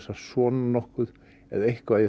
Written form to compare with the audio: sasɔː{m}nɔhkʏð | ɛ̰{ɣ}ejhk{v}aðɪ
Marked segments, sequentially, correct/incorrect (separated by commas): incorrect, incorrect, correct